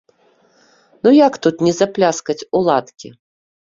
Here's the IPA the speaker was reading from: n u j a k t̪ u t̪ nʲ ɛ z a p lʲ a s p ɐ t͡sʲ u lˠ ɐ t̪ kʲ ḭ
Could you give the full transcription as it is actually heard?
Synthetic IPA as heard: n u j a k t̪ u t̪ nʲ ɛ z a p lʲ a s k ɐ t͡sʲ u lˠ a t̪ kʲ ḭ